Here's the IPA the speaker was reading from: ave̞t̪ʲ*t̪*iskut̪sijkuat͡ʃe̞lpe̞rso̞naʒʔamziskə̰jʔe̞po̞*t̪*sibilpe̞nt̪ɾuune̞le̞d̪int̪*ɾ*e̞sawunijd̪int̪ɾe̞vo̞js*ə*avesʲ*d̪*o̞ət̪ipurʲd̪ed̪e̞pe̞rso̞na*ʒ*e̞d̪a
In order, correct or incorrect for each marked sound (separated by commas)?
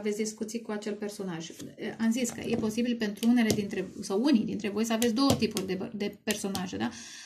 incorrect, incorrect, correct, correct, correct, correct